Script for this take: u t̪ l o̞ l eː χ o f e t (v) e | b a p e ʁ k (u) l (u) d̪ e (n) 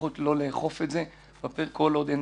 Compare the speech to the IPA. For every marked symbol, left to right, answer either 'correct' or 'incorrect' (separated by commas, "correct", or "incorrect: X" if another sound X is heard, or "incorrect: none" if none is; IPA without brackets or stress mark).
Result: incorrect: z, incorrect: o, incorrect: o, correct